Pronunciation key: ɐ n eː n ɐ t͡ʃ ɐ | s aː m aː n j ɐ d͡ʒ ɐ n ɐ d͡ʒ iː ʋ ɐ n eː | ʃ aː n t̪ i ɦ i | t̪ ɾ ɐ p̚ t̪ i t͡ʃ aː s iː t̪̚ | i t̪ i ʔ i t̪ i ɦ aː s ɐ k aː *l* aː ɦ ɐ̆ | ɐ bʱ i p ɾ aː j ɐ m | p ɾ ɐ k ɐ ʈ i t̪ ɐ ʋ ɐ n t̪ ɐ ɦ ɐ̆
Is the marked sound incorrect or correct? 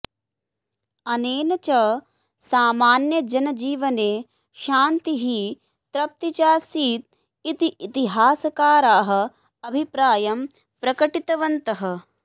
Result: incorrect